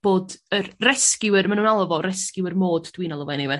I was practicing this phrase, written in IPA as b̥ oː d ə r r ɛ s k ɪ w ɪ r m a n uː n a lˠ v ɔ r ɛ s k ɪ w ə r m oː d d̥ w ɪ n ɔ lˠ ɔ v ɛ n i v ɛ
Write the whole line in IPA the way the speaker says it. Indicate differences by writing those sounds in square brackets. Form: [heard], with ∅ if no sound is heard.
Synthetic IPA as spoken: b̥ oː d ə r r ɛ s k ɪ w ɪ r m a n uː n a lˠ v ɔ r ɛ s k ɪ w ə r m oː d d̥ w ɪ n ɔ lˠ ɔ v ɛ n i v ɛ